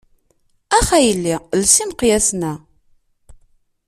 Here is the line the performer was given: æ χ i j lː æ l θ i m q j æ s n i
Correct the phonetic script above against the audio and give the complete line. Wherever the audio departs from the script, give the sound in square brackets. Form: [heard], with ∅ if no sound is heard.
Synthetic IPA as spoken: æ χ [æ] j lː [i] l [s] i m q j æ s n [æ]